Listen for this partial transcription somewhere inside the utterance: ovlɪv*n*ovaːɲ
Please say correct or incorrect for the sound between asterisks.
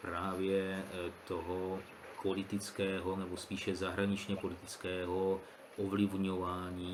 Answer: incorrect